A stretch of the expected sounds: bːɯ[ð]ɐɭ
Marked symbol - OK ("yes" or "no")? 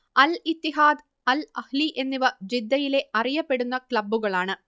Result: no